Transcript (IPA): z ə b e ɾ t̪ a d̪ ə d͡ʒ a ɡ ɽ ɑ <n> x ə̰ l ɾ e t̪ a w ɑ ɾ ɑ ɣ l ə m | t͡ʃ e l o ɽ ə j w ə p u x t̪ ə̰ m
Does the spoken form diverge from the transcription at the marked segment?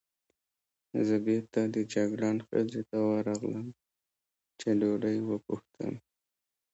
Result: no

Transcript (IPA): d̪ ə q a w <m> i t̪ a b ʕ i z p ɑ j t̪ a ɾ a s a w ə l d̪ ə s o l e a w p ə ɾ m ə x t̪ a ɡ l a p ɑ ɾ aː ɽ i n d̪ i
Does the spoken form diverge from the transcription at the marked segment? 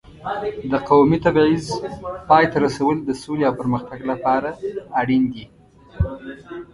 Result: no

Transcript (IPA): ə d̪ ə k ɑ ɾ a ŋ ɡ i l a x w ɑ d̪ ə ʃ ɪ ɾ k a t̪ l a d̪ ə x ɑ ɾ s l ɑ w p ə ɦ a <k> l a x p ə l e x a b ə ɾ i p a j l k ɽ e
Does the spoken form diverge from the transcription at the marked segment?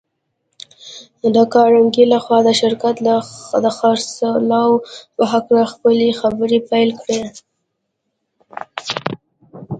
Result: no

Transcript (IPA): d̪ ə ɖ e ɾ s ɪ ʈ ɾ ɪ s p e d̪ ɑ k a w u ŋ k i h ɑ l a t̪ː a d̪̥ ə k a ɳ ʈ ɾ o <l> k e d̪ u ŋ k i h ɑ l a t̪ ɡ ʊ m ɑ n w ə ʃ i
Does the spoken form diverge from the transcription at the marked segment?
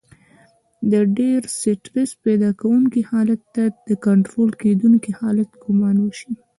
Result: no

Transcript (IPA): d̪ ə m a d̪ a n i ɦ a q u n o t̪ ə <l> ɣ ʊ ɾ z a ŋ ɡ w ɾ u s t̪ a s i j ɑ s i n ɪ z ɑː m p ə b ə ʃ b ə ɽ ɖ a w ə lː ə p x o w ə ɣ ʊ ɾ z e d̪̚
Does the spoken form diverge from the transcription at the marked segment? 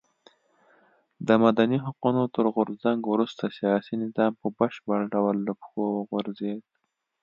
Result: yes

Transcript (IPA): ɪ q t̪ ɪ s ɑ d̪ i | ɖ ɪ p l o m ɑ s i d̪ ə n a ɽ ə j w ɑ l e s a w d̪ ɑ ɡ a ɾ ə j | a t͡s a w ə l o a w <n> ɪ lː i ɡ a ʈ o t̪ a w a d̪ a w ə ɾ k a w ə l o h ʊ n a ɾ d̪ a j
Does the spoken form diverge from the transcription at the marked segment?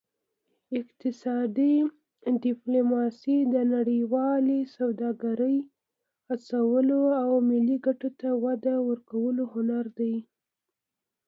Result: yes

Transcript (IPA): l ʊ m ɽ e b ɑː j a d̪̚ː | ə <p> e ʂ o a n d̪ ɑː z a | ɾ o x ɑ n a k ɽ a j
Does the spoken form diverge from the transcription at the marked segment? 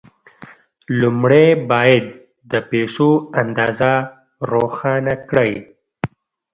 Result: no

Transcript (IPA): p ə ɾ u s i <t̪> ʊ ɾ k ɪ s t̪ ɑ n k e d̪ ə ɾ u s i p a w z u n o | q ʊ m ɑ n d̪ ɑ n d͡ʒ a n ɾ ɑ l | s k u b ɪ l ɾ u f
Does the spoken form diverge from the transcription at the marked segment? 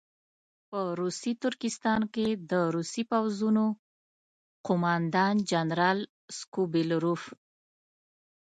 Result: no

